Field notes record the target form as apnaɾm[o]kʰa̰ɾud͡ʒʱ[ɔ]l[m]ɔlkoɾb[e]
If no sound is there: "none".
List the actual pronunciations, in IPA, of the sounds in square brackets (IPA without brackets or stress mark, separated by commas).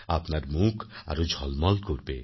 u, ɔ, m, e